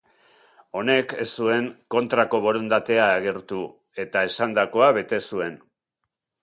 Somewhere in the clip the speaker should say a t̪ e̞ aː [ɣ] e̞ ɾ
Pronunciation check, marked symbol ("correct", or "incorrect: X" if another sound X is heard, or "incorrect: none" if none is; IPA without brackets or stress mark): correct